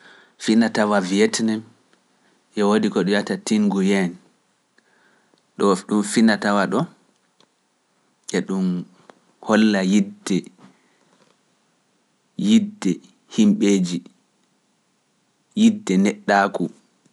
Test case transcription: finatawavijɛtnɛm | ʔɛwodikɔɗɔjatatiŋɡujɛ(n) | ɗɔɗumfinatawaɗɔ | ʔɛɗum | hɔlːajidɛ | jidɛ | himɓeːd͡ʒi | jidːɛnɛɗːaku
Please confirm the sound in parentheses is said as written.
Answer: yes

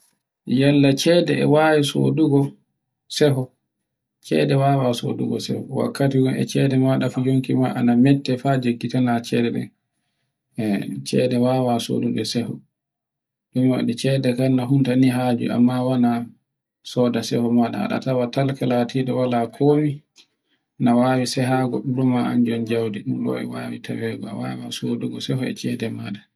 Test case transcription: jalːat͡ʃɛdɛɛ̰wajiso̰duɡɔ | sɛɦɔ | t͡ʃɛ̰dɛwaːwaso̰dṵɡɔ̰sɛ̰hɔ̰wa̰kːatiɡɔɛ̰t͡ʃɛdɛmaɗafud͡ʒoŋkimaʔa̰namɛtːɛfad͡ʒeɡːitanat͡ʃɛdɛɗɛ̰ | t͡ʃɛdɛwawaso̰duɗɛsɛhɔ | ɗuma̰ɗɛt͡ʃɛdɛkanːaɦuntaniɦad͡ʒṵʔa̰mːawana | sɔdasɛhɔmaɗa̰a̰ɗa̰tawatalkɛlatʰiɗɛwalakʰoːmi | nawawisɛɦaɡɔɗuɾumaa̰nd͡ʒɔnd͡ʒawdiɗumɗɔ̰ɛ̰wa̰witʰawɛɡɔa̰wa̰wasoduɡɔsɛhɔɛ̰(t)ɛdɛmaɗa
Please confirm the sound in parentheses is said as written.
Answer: no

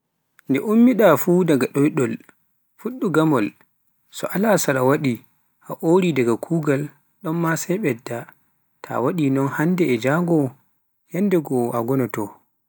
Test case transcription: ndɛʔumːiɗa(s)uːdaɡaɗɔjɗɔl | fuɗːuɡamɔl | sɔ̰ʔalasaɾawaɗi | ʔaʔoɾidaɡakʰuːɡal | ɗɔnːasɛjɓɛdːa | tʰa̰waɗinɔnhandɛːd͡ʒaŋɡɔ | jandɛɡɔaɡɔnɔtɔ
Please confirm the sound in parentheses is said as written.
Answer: no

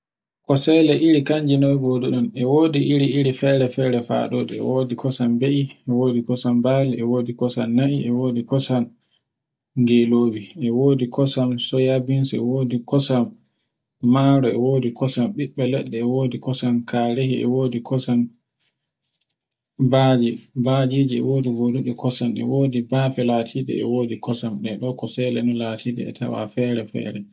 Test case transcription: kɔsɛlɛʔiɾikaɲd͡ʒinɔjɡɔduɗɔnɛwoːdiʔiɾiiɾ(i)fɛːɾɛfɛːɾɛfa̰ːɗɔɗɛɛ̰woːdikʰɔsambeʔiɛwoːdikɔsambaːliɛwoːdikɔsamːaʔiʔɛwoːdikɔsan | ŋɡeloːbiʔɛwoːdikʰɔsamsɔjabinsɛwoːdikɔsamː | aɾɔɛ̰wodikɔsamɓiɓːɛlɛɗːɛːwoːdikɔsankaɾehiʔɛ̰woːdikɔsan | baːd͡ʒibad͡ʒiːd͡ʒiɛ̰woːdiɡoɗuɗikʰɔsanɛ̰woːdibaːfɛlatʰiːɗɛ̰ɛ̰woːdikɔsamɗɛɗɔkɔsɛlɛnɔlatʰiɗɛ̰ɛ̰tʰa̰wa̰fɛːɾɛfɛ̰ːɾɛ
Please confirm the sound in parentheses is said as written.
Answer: yes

